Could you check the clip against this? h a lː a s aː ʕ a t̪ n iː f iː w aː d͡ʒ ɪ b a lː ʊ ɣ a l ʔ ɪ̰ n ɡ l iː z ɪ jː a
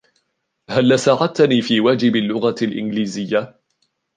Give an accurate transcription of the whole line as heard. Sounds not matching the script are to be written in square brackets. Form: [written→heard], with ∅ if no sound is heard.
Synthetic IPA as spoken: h a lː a s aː ʕ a t̪ n iː f iː w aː d͡ʒ ɪ b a lː ʊ ɣ a l ʔ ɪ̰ n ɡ l iː z ɪ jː a